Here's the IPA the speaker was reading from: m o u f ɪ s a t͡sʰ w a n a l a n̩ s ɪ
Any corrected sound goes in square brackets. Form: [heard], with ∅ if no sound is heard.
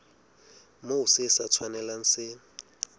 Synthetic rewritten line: m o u [s] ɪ s a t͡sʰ w a n [ɛ] l a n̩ s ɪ